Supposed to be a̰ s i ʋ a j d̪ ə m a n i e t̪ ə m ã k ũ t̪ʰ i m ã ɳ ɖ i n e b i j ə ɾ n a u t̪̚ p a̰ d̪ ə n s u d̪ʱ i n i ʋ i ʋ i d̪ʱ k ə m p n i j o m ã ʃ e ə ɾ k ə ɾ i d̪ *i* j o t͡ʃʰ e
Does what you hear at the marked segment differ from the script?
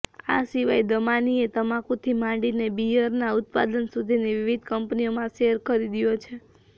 no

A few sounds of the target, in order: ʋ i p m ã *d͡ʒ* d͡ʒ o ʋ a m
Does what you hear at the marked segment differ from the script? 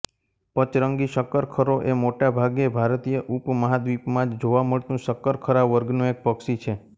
no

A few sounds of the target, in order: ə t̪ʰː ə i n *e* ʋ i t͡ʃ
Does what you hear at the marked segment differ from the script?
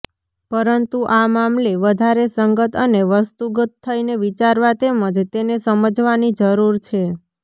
no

